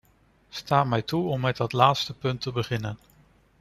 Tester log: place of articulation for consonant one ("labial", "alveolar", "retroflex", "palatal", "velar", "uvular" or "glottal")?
alveolar